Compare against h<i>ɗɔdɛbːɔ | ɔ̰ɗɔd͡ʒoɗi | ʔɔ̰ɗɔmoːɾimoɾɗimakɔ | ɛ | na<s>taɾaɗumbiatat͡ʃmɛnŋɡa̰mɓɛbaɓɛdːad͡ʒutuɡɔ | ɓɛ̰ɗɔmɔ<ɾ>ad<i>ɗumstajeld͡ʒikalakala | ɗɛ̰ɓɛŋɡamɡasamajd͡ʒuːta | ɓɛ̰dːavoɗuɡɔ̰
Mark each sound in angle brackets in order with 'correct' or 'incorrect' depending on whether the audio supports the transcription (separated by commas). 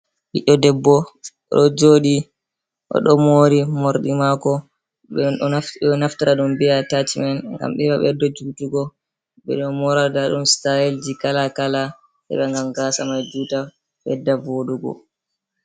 correct, incorrect, correct, incorrect